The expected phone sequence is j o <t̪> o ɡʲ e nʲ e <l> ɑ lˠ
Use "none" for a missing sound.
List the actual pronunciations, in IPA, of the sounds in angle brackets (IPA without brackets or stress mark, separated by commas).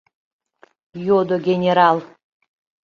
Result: d̪, ɾ